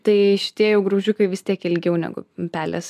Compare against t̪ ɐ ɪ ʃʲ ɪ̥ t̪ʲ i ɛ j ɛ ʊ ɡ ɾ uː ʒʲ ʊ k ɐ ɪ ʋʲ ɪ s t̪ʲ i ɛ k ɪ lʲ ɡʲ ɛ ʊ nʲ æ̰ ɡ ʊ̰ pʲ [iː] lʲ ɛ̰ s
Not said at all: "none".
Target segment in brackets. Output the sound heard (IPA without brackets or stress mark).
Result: æː